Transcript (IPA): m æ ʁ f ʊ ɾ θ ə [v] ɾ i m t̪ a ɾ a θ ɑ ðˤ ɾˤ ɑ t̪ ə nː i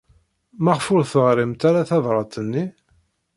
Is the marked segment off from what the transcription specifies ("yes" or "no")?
yes